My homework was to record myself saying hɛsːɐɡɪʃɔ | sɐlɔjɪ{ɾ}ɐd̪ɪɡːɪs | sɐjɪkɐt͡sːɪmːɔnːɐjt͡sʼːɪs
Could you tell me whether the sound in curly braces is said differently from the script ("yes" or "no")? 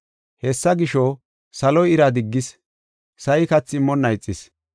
no